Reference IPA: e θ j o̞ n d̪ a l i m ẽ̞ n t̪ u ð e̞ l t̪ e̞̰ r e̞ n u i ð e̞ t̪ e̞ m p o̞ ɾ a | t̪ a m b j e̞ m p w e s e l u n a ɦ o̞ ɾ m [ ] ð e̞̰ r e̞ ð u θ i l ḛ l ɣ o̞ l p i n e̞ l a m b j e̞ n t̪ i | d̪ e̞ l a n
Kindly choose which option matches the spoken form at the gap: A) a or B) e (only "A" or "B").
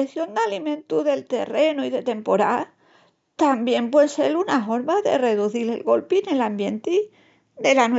A